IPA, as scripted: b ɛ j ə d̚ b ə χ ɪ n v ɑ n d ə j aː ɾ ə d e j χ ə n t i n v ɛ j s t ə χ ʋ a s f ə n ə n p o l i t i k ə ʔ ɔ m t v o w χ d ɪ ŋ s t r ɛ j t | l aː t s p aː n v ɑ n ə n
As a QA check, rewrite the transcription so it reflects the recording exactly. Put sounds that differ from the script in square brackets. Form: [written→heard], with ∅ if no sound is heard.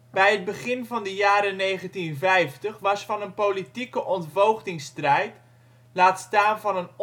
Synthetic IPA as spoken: b ɛ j ə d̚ b ə χ ɪ n v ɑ n d ə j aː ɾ ə [d→n] e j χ ə n t i n v ɛ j [s→f] t ə χ ʋ [a→ɑ] s f [ə→ɑ] n ə n p o l i t i k ə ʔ ɔ [m→n] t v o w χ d ɪ ŋ s t r ɛ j t | l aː t s [p→t] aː n v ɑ n ə n